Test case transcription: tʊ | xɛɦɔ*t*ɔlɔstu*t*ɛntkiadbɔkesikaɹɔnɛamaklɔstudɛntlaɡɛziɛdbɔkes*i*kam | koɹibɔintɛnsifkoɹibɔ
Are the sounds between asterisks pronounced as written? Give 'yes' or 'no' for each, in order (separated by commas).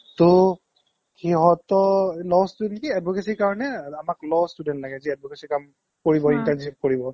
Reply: yes, no, yes